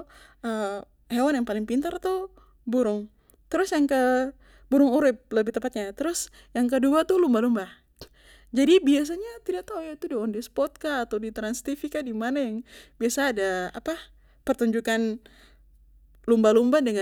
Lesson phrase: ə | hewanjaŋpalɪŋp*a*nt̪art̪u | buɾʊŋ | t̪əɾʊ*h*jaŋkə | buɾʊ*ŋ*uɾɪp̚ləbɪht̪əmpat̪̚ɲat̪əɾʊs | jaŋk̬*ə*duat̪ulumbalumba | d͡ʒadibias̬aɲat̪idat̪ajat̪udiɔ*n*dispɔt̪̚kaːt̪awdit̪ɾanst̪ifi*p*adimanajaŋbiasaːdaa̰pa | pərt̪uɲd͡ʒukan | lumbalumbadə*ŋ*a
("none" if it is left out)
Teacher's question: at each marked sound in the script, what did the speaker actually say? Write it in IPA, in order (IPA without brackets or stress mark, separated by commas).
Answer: i, s, ŋ, ə, n, k, ŋ